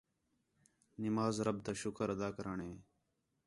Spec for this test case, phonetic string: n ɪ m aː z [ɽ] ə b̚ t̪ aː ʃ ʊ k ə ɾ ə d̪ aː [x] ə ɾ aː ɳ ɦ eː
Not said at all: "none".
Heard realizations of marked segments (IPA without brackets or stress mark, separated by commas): ɾ, k